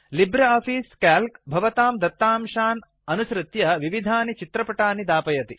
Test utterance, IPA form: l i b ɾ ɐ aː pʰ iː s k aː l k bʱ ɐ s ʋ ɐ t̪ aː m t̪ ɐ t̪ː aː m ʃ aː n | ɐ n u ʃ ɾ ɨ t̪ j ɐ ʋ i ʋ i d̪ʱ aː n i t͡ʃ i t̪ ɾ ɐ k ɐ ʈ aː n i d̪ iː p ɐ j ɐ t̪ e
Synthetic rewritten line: l i b ɾ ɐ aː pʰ iː s k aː l k bʱ ɐ ʋ ɐ t̪ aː m d̪ ɐ t̪ː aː m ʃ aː n | ɐ n u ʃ ɾ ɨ t̪ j ɐ ʋ i ʋ i d̪ʱ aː n i t͡ʃ i t̪ ɾ ɐ p ɐ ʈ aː n i d̪ aː p ɐ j ɐ t̪ i